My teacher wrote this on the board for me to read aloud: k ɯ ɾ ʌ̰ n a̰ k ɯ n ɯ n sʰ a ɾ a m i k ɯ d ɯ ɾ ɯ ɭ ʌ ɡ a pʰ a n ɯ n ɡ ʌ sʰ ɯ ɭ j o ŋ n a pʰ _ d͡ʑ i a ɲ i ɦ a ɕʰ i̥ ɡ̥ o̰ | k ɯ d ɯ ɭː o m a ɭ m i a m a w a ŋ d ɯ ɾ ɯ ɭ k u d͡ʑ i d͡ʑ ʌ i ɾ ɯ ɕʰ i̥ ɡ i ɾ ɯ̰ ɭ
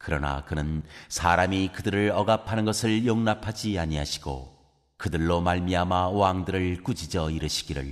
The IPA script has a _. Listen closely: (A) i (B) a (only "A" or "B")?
B